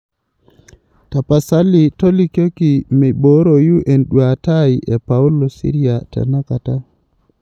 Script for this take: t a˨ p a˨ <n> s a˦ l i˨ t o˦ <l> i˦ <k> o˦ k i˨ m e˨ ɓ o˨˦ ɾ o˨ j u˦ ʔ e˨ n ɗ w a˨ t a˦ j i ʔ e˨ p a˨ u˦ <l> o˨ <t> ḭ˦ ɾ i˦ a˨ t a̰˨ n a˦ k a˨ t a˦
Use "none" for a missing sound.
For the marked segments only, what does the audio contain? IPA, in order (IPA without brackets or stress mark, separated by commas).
none, l, k, l, s